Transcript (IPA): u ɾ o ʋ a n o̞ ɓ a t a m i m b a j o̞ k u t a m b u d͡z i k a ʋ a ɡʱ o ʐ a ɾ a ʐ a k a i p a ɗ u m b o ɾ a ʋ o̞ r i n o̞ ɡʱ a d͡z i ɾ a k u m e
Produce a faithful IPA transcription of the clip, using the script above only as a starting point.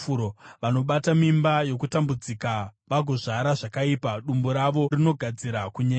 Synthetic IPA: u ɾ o ʋ a n o̞ ɓ a t a m i m b a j o̞ k u t a m b u d͡z i k a ʋ a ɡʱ o ʐ a ɾ a ʐ a k a i p a ɗ u m b o ɾ a ʋ o̞ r i n o̞ ɡʱ a d͡z i ɾ a k u ɲ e